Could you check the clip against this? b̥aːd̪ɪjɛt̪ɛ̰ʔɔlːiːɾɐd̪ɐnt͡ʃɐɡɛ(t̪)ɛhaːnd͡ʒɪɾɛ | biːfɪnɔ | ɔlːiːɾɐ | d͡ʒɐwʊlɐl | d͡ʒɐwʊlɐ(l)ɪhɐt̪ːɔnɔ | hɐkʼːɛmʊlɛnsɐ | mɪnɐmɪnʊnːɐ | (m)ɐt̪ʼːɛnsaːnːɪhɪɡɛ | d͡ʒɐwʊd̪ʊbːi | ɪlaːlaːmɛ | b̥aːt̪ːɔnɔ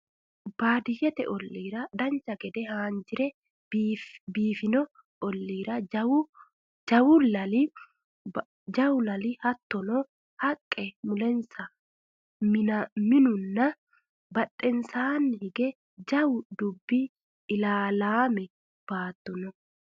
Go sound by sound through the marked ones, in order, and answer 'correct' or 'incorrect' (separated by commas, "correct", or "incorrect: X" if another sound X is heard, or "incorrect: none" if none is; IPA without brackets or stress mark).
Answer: incorrect: d̪, correct, incorrect: b